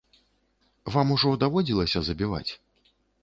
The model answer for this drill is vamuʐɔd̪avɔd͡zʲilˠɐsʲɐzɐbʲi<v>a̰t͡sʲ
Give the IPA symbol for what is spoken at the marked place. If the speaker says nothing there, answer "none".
v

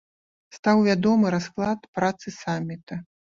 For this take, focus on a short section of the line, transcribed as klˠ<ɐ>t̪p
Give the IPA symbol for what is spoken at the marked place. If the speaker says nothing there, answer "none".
a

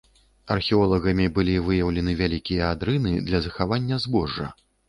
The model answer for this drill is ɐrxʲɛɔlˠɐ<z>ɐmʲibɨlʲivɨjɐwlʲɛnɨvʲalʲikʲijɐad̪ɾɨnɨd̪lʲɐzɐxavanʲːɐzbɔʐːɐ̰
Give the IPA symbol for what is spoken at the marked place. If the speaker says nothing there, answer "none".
ɣ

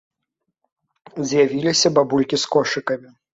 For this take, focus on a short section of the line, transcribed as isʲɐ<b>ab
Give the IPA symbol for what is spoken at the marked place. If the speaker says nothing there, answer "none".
b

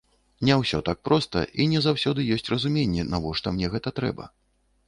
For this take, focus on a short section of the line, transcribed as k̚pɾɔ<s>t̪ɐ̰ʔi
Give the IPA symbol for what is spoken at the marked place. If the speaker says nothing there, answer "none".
s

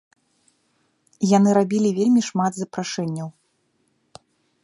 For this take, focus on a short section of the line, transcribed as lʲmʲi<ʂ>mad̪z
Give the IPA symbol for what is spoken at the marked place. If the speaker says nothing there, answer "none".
ʂ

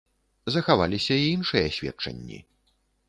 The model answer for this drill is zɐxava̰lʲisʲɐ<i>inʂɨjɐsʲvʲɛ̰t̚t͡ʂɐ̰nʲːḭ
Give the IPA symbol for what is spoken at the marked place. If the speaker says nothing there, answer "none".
i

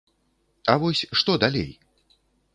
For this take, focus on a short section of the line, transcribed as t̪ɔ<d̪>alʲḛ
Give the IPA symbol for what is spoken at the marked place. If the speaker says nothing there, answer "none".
d̪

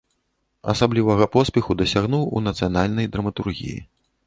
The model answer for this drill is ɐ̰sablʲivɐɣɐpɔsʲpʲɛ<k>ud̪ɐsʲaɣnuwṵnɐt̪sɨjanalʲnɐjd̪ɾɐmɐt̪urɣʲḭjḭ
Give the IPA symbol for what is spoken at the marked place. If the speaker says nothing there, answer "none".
x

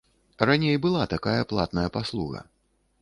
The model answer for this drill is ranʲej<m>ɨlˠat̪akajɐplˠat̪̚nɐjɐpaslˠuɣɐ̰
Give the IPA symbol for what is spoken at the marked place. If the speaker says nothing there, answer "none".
b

